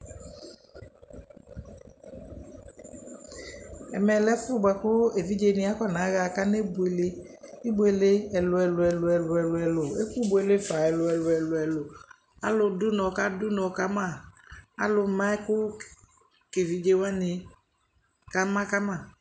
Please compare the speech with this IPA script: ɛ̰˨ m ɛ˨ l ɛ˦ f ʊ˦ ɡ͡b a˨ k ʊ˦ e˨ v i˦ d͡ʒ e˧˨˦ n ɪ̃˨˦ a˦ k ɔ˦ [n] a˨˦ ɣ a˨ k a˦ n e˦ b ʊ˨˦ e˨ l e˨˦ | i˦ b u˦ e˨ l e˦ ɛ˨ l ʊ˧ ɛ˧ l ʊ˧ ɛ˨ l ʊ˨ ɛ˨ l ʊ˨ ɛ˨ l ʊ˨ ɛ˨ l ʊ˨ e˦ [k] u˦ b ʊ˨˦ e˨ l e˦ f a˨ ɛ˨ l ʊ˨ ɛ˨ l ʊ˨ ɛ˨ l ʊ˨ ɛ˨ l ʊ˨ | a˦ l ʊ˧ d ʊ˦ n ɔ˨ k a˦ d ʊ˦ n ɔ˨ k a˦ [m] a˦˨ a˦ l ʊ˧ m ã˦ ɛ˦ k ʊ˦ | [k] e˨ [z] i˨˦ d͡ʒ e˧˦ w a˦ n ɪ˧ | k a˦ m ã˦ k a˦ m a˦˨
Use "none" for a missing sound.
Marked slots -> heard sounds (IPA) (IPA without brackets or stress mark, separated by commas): n, k, m, k, v